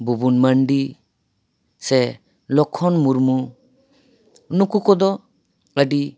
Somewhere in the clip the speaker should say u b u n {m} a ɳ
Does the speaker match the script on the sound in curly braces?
yes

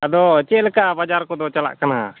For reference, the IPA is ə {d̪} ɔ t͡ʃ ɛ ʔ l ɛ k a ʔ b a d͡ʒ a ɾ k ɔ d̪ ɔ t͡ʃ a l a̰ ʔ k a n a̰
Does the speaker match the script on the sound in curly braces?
yes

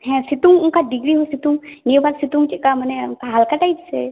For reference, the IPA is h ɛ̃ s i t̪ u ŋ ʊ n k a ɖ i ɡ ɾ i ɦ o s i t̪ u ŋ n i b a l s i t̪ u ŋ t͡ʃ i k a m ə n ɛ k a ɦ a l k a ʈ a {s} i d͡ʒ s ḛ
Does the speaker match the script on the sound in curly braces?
no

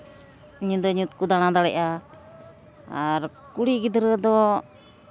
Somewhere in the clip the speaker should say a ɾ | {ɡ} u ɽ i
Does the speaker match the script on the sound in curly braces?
no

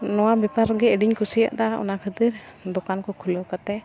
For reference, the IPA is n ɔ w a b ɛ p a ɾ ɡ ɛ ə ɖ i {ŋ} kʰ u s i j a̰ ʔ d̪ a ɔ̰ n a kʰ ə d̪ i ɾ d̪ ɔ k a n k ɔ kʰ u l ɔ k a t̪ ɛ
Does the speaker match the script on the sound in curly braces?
no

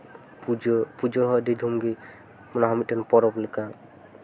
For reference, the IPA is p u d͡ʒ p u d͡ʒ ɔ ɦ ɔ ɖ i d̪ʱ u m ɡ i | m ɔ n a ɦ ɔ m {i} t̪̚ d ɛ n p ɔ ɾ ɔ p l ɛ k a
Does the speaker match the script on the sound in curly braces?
yes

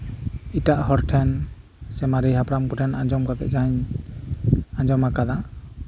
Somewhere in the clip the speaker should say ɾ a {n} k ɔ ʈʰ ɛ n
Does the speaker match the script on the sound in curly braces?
no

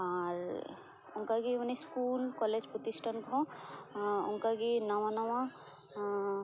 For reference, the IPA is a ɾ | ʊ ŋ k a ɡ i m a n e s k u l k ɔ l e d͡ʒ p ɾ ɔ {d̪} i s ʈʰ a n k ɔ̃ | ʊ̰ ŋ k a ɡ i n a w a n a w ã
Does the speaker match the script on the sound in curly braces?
no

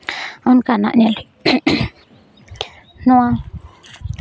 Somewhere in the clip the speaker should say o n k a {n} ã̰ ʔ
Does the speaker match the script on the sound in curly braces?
yes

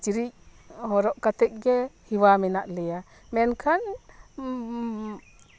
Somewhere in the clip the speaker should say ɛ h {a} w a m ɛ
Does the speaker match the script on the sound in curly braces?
no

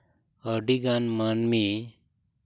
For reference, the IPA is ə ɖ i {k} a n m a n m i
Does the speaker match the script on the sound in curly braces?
no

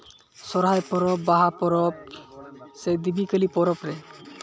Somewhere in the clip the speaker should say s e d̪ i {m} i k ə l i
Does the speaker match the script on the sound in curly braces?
no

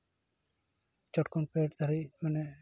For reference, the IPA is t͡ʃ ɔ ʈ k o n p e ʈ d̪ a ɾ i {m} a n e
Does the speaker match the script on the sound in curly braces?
yes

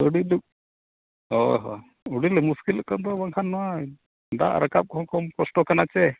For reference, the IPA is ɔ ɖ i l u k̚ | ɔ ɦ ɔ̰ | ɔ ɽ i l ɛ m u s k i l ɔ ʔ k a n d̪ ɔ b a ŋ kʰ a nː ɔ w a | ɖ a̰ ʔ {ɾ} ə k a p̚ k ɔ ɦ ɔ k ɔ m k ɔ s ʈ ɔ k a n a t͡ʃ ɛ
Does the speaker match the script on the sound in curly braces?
yes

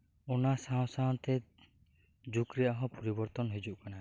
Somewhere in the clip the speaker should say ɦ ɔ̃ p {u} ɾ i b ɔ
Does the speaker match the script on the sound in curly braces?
no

